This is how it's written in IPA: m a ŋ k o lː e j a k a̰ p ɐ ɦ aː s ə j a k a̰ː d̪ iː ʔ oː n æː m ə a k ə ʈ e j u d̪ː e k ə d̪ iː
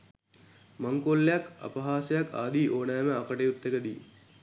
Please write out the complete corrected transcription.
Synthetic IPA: m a ŋ k o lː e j a k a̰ p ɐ ɦ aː s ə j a k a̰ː d̪ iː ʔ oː n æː m ə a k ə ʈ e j u t̪ː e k ə d̪ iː